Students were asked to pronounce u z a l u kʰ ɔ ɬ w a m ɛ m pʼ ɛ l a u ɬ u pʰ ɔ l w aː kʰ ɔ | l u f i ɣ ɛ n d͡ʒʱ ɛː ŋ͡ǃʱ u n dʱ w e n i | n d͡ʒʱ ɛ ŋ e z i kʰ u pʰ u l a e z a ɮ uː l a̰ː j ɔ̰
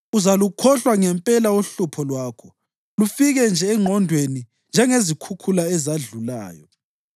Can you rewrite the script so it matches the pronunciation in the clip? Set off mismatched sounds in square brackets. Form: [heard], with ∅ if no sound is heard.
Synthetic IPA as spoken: u z a l u kʰ ɔ ɬ w a [ŋ] ɛ m pʼ ɛ l a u ɬ u pʰ ɔ l w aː kʰ ɔ | l u f i ɣ ɛ n d͡ʒʱ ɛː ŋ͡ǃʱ [ɔ] n dʱ w e n i | n d͡ʒʱ ɛ ŋ e z i kʰ u [kʰ] u l a [ɛ] z a ɮ [u] l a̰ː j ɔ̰

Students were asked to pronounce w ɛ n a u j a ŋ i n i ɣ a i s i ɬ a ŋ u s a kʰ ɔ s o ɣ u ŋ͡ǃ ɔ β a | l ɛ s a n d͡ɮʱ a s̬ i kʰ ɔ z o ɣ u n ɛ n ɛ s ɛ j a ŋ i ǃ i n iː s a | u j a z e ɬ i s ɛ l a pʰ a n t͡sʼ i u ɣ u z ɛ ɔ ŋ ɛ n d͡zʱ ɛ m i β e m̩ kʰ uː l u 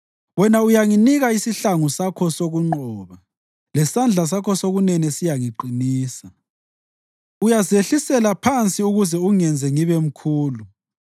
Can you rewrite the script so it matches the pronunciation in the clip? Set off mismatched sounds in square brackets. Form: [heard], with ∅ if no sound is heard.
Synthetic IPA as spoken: w ɛ n a u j a ŋ i n i ɣ a i s i ɬ a ŋ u s a kʰ ɔ s o ɣ u ŋ͡ǃ ɔ β a | l ɛ s a n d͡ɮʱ a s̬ [a] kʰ ɔ [s] o ɣ u n ɛ n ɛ s [i] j a ŋ i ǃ i n iː s a | u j a z e ɬ i s ɛ l a pʰ a n t͡sʼ i u ɣ u z ɛ [u] ŋ ɛ n d͡zʱ ɛ [ŋ] i β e m̩ kʰ uː l u

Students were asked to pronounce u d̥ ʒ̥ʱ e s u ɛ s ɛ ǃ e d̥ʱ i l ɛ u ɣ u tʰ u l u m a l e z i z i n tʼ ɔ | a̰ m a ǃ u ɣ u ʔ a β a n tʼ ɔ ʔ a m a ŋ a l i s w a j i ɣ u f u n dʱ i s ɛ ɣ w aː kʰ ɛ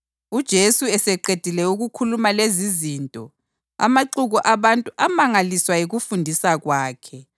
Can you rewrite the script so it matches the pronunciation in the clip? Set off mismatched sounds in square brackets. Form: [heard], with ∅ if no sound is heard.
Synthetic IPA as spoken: u d̥ ʒ̥ʱ e s u ɛ s ɛ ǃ e d̥ʱ i l ɛ u ɣ u [kʰ] u l u m a l e z i z i n tʼ ɔ | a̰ m a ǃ u ɣ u ʔ a β a n tʼ [u] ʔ a m a ŋ a l i s w a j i ɣ u f u n dʱ i s [a] ɣ w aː kʰ ɛ

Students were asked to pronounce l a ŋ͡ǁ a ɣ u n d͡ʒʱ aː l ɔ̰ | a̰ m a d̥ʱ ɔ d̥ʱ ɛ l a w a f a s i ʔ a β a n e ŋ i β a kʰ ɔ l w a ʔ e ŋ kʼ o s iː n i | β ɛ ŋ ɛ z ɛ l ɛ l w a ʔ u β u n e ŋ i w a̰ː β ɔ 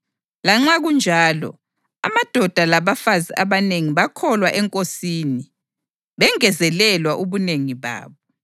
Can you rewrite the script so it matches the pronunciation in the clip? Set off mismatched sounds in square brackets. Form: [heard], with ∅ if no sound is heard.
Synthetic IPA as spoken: l a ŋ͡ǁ a ɣ u n d͡ʒʱ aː l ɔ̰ | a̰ m a d̥ʱ ɔ d̥ʱ [a] l a [β] a f a [z] i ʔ a β a n e ŋ i β a kʰ ɔ l w a ʔ [ɛ] ŋ kʼ o s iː n i | β ɛ ŋ ɛ z ɛ l ɛ l w a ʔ u β u n e ŋ i [β] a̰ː β ɔ

